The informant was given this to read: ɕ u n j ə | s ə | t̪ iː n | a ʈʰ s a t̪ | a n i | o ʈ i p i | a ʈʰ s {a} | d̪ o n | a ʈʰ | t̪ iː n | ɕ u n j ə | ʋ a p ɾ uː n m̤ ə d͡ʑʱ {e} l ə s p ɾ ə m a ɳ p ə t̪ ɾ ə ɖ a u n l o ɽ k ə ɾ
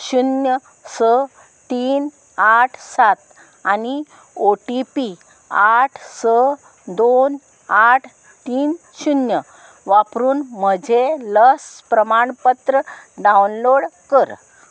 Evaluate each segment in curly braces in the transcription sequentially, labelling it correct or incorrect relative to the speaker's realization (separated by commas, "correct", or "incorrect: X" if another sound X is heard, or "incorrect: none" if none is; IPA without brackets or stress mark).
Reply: incorrect: ə, correct